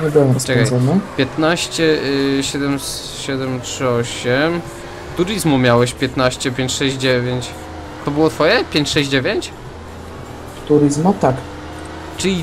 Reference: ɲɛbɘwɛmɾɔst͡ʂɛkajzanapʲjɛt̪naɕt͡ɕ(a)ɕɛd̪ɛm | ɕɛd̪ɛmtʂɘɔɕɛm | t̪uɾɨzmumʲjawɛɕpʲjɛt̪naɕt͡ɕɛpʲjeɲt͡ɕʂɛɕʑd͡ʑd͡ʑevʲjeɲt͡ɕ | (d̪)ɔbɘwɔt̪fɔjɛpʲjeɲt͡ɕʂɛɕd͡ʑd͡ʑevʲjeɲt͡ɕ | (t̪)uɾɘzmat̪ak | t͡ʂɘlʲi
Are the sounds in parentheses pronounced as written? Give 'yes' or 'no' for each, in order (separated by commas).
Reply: no, no, yes